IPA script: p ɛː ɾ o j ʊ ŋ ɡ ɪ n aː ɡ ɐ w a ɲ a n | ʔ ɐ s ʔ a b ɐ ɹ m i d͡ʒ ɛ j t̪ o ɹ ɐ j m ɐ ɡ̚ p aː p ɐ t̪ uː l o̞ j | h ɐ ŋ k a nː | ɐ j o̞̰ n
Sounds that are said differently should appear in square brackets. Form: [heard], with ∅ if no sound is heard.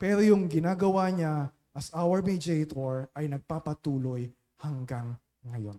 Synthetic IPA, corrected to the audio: p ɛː ɾ o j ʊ ŋ ɡ ɪ n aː ɡ ɐ w a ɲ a [∅] | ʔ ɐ s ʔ a [w] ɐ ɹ m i d͡ʒ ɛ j t̪ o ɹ ɐ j [n] ɐ ɡ̚ p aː p ɐ t̪ uː l o̞ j | h ɐ ŋ [ɡ] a [ŋː] | ɐ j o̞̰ n